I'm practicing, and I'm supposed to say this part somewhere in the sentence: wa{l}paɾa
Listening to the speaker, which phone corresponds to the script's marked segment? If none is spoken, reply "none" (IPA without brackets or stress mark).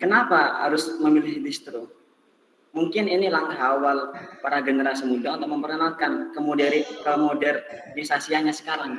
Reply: l